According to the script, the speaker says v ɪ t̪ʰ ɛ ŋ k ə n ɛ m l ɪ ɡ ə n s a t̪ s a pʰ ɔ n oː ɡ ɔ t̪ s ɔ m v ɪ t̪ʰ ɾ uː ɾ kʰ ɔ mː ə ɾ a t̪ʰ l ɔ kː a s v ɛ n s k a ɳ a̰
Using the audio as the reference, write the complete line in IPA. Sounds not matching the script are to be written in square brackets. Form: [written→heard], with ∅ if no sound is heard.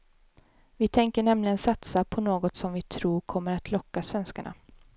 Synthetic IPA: v ɪ t̪ʰ ɛ ŋ k ə [n→ɳ] ɛ m l ɪ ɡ ə n s a t̪ s a pʰ ɔ n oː ɡ ɔ t̪ s ɔ m v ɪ t̪ʰ ɾ uː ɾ kʰ ɔ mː ə ɾ a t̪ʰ l ɔ kː a s v ɛ n s k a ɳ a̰